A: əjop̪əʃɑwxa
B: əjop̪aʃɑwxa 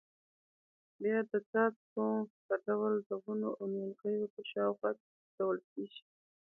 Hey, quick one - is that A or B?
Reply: A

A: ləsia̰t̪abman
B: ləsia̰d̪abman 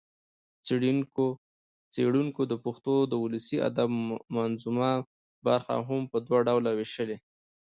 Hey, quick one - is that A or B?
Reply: B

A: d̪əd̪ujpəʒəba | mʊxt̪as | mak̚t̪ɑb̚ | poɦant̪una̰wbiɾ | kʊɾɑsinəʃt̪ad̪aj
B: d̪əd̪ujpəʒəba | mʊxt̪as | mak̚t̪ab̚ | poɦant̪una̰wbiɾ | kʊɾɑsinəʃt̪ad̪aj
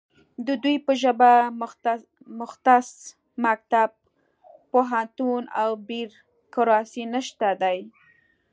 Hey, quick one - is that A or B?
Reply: B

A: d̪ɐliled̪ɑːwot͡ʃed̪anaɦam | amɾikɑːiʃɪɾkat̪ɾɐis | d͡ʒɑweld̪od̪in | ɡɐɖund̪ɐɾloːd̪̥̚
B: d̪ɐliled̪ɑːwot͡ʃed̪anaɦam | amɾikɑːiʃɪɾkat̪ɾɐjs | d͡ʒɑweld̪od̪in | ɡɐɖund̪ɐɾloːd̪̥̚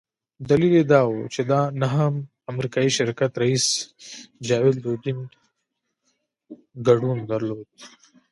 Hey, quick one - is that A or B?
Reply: A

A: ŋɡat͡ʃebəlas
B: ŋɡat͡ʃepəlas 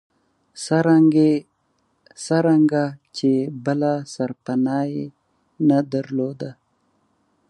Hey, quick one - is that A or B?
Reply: A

